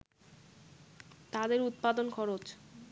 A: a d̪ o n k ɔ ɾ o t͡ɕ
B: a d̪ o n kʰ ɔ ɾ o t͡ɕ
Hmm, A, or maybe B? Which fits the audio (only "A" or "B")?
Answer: B